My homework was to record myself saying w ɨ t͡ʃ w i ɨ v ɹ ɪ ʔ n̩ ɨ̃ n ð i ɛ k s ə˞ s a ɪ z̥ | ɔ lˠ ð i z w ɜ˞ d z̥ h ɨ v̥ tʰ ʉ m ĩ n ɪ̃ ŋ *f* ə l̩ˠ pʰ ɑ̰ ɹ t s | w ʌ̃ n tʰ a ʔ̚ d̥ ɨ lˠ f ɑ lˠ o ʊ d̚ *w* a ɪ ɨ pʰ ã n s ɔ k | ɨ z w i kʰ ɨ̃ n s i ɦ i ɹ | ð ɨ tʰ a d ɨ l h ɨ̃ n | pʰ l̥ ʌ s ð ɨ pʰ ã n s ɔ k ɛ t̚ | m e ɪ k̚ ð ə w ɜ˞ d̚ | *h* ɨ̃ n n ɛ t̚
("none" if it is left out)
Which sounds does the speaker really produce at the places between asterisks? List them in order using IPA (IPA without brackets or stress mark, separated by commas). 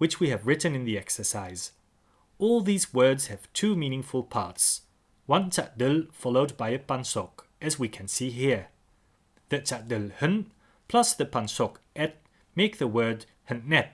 f, b, h